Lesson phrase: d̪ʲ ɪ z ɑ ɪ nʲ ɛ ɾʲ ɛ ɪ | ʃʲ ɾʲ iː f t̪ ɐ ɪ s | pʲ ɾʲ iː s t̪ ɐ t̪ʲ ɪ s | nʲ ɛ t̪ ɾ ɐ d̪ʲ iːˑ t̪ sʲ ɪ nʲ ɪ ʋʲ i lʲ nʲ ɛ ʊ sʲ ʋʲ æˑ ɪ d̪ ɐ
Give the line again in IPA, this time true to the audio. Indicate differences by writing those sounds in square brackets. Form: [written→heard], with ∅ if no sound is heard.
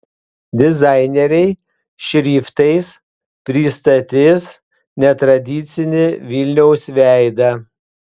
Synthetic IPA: d̪ʲ ɪ z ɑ ɪ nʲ ɛ ɾʲ ɛ ɪ | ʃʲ ɾʲ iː f t̪ ɐ ɪ s | pʲ ɾʲ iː s t̪ ɐ t̪ʲ ɪ s | nʲ ɛ t̪ ɾ ɐ d̪ʲ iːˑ t̪ sʲ ɪ nʲ ɪ ʋʲ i lʲ nʲ ɛ ʊ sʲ ʋʲ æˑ ɪ d̪ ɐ